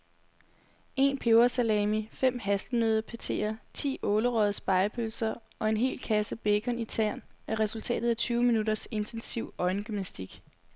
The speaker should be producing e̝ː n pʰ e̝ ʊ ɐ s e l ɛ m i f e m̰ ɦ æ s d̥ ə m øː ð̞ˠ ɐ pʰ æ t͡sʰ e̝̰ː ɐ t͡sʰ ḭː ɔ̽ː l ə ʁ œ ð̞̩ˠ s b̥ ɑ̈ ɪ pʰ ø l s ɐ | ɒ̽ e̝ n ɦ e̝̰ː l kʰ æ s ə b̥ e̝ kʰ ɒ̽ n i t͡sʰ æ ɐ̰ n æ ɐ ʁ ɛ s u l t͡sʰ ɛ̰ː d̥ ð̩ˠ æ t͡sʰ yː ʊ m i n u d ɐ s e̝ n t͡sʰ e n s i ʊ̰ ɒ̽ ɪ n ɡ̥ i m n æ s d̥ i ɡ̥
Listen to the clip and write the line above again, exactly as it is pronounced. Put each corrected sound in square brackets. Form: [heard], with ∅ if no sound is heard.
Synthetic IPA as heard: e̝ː n pʰ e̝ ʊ ɐ s [æ] l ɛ m i f e m̰ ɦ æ s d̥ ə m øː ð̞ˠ ɐ pʰ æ t͡sʰ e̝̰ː ɐ t͡sʰ ḭː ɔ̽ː l ə ʁ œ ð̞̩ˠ s b̥ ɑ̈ ɪ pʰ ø l s ɐ | ɒ̽ e̝ n ɦ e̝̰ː l kʰ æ s ə b̥ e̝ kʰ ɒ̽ n i t͡sʰ æ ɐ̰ n æ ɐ ʁ ɛ s u l t͡sʰ ɛ̰ː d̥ ð̩ˠ æ t͡sʰ yː ʊ m i n u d ɐ s e̝ n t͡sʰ e n s i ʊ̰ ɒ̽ ɪ n ɡ̥ [y] m n æ s d̥ i ɡ̥